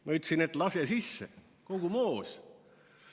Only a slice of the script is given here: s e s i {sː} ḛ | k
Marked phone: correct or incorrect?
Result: correct